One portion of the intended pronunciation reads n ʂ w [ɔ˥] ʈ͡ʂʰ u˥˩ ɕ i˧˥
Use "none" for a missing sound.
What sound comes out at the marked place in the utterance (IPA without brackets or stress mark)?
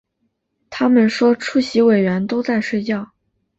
ɔ˥